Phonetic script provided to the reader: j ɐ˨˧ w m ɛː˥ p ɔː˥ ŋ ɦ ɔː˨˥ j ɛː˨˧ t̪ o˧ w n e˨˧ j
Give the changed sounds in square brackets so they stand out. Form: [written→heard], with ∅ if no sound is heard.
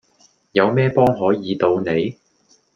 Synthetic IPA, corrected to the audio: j ɐ˨˧ w m ɛː˥ p ɔː˥ ŋ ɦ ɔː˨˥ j [ɛː˨˧→iː˨˧] t̪ o˧ w n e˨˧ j

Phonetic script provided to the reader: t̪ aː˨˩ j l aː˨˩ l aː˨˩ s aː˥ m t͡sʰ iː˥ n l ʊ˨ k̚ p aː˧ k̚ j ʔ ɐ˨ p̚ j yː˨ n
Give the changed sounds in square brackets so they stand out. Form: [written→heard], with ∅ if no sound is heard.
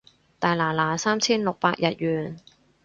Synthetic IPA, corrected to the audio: t̪ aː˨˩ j l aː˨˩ l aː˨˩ s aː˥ m t͡sʰ iː˥ n l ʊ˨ k̚ p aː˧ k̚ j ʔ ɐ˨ [p̚→t̚] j yː˨ n

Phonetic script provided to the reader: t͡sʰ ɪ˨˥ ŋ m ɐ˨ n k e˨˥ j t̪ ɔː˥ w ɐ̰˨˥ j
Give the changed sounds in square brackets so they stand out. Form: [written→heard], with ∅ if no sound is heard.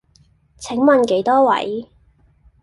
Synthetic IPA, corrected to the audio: t͡sʰ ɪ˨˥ ŋ m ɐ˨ n k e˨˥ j t̪ ɔː˥ w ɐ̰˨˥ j

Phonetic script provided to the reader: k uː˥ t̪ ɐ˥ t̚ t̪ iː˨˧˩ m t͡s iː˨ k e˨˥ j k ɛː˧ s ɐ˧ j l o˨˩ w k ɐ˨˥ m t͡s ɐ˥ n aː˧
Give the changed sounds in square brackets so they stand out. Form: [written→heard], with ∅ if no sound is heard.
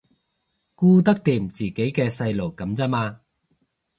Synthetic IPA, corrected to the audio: k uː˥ t̪ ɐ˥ [t̚→k̚] t̪ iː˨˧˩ m t͡s iː˨ k e˨˥ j k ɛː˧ s ɐ˧ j l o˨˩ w k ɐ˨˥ m t͡s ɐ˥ [n→m] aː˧

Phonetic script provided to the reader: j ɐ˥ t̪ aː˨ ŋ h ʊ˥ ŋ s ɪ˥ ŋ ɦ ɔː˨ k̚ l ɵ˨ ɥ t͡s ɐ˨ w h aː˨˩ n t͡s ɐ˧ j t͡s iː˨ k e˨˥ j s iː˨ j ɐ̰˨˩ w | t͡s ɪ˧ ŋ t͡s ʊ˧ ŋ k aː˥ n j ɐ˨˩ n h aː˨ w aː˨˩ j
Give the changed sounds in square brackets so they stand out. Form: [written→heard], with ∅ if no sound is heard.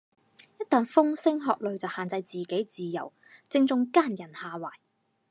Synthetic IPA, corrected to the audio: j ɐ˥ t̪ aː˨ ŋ [h→f] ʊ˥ ŋ s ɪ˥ ŋ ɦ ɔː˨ k̚ l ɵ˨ ɥ t͡s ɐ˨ w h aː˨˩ n t͡s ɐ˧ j t͡s iː˨ k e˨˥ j [s→t͡s] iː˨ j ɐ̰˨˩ w | t͡s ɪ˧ ŋ t͡s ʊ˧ ŋ k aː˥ n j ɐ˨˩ n h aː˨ w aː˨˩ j

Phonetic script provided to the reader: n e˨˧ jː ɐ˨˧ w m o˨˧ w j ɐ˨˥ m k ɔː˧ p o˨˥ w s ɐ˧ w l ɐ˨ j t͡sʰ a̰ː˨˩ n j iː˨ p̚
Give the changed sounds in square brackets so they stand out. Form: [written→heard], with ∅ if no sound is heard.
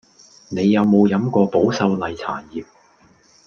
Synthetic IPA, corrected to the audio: n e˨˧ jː ɐ˨˧ w m o˨˧ w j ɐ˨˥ m k ɔː˧ p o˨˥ w s ɐ˧ w l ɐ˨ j t͡sʰ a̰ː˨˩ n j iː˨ p̚

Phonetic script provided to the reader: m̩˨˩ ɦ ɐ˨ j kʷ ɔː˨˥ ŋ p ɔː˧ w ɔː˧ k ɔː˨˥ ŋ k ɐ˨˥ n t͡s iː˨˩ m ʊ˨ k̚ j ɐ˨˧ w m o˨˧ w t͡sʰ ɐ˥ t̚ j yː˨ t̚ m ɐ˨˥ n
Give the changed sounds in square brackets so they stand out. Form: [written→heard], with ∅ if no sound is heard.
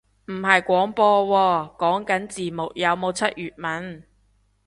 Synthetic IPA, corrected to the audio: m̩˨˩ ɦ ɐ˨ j kʷ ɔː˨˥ ŋ p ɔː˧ w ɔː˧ k ɔː˨˥ ŋ k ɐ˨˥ n t͡s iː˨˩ m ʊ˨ k̚ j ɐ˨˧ w m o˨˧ w t͡sʰ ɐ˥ t̚ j yː˨ t̚ m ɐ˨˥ n

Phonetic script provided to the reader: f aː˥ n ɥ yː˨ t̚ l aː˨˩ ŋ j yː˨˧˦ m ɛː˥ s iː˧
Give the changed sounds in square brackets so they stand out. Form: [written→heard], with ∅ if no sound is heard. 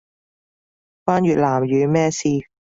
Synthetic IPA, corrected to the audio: f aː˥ n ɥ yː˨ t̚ l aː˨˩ [ŋ→m] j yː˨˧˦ m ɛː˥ s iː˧

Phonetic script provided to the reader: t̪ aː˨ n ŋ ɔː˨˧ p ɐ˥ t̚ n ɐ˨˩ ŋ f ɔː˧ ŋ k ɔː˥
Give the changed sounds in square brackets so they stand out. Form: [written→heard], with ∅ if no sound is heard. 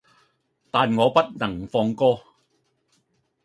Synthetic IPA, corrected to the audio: t̪ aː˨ n ŋ ɔː˨˧ p ɐ˥ t̚ n ɐ˨˩ ŋ f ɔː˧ ŋ k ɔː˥

